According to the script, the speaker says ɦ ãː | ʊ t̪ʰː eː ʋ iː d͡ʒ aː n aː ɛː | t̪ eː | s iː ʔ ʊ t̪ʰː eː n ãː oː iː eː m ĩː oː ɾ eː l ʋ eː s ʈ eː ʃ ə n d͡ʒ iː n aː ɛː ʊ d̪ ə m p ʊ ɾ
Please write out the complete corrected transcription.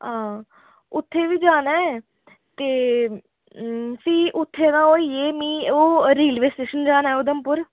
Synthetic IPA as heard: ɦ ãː | ʊ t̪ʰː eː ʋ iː d͡ʒ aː n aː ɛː | t̪ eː | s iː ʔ ʊ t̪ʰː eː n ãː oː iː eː m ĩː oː ɾ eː l ʋ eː s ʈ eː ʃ ə n d͡ʒ aː n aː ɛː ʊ d̪ ə m p ʊ ɾ

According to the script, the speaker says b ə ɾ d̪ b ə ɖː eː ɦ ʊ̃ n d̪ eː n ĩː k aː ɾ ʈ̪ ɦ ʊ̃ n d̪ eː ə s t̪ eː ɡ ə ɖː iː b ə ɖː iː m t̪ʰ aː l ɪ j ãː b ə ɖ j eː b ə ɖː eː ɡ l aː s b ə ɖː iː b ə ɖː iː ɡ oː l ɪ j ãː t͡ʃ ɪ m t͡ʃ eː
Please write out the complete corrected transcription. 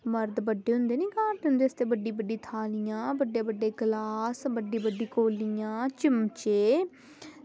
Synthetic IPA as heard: m ə ɾ d̪ b ə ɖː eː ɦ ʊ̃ n d̪ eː n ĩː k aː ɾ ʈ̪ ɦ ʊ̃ n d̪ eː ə s t̪ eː b ə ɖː iː b ə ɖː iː t̪ʰ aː l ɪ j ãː b ə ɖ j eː b ə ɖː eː ɡ l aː s b ə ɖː iː b ə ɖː iː k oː l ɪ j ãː t͡ʃ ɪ m t͡ʃ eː

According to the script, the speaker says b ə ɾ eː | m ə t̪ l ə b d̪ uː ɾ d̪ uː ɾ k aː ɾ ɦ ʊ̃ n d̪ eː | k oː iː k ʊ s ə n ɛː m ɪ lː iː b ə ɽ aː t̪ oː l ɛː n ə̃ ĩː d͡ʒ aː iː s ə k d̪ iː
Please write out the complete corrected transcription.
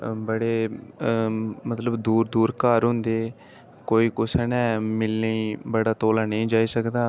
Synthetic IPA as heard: b ə ɽ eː | m ə t̪ l ə b d̪ uː ɾ d̪ uː ɾ k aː ɾ ɦ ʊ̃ n d̪ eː | k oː iː k ʊ s ə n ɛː m ɪ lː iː b ə ɽ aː t̪ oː l aː n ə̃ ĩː d͡ʒ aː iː s ə k d̪ aː

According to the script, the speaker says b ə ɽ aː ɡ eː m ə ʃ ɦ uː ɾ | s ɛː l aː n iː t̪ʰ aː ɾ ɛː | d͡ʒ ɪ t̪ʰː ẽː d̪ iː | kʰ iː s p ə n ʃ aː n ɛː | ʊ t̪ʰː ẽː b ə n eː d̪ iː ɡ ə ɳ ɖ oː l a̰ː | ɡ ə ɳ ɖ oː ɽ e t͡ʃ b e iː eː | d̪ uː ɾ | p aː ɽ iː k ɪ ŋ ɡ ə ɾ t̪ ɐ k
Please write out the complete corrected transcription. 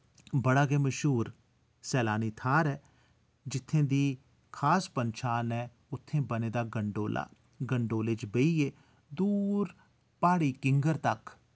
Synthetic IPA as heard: b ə ɽ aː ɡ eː m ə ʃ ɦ uː ɾ | s ɛː l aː n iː t̪ʰ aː ɾ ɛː | d͡ʒ ɪ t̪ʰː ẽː d̪ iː | kʰ aː s p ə n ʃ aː n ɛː | ʊ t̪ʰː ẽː b ə n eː d̪ aː ɡ ə ɳ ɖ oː l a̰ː | ɡ ə ɳ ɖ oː l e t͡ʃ b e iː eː | d̪ uː ɾ | p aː ɽ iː k ɪ ŋ ɡ ə ɾ t̪ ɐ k

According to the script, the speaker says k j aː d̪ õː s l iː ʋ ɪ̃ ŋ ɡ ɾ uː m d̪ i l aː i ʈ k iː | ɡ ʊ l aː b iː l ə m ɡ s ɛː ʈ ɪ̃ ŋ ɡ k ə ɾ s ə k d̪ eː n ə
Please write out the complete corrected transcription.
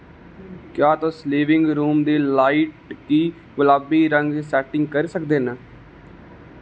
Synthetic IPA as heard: k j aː t̪ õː s l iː ʋ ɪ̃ ŋ ɡ ɾ uː m d̪ iː l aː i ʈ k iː | ɡ ʊ l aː b iː ɾ ə ŋ ɡ s ɛː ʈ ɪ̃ ŋ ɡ k ə ɾ s ə k d̪ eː n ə

